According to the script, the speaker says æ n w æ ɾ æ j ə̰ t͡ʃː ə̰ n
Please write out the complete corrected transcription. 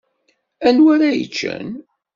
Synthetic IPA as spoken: æ n w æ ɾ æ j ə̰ t͡ʃː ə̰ n